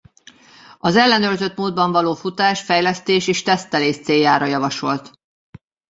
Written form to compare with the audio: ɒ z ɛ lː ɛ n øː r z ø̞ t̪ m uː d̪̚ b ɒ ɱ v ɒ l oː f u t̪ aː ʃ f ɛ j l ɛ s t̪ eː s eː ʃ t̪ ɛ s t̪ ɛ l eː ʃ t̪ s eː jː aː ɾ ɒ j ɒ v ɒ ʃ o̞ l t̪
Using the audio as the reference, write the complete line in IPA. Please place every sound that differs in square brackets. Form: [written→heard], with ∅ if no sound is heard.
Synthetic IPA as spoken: ɒ z ɛ lː ɛ n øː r z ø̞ t̪ m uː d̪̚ b ɒ ɱ v ɒ l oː f u t̪ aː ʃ f ɛ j l ɛ s t̪ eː [s→ʃ] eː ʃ t̪ ɛ s t̪ ɛ l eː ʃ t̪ s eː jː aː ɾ ɒ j ɒ v ɒ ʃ o̞ l t̪